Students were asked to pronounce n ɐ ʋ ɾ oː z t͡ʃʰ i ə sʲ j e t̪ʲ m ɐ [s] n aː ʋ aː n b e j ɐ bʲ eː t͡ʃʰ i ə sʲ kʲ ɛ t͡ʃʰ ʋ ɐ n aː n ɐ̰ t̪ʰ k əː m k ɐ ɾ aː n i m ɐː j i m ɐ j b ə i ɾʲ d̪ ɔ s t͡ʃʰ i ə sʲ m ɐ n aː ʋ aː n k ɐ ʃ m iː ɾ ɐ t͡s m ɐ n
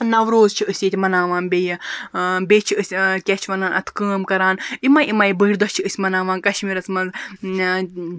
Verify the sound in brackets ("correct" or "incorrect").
incorrect